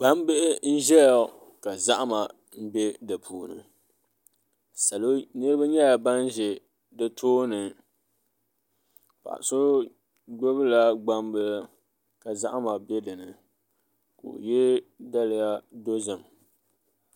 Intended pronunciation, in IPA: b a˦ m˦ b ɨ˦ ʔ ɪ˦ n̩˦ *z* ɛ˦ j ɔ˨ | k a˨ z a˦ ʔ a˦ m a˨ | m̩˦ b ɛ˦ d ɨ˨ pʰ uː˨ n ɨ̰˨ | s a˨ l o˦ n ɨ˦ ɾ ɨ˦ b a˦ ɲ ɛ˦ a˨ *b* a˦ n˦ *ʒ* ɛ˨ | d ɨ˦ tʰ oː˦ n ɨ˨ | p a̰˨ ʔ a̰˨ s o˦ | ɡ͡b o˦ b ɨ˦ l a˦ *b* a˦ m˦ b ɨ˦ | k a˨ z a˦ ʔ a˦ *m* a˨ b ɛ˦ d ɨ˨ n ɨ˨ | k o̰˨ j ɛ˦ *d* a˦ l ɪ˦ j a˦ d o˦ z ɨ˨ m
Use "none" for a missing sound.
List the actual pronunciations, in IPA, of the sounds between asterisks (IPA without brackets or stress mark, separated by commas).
ʒ, b, ʒ, ɡ͡b, m, d